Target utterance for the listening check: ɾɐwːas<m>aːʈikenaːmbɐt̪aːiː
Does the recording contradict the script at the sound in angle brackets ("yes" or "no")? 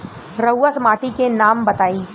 no